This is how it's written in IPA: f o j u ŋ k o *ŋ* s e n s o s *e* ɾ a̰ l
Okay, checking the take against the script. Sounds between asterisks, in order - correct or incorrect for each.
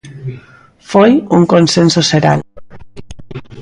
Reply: incorrect: n, correct

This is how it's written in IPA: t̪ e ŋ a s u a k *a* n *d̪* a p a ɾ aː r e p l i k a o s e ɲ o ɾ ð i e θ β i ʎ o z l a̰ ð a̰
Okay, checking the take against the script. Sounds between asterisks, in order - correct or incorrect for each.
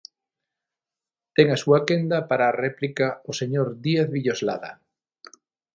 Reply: incorrect: e, correct

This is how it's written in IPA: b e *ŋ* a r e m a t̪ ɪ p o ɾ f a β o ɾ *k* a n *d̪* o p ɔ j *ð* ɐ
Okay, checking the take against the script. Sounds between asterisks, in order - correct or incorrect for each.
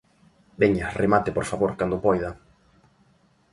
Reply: incorrect: ɲ, correct, correct, correct

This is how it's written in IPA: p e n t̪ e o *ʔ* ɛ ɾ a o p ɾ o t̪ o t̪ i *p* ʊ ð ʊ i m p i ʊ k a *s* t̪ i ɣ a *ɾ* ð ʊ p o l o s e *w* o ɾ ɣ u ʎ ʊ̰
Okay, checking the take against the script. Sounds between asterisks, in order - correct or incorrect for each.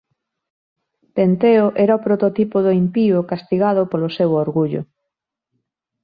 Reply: correct, correct, correct, incorrect: none, correct

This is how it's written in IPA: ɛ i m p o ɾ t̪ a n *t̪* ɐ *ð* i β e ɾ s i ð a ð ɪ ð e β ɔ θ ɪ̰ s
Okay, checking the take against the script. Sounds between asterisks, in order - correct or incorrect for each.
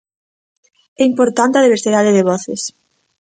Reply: correct, correct

